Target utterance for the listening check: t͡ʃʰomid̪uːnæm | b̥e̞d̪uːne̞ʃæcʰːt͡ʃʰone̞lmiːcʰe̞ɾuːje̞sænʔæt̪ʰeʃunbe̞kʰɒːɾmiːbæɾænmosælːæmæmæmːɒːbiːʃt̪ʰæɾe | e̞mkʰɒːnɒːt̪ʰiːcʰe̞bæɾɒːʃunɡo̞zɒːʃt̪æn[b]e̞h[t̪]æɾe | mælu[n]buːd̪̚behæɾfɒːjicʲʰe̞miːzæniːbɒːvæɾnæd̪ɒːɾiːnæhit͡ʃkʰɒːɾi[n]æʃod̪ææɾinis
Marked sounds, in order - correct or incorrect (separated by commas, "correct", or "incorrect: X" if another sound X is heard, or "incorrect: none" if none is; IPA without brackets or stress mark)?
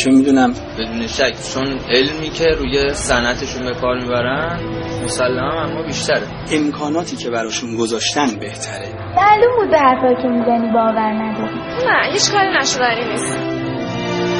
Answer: correct, incorrect: t̪ʰ, incorrect: m, correct